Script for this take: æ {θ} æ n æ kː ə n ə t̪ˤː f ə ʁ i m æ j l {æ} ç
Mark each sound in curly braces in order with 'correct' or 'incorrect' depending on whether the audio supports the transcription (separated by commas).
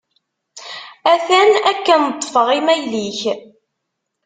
correct, incorrect